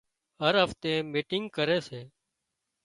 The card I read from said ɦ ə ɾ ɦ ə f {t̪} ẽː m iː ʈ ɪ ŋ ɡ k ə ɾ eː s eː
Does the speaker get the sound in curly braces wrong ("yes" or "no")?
no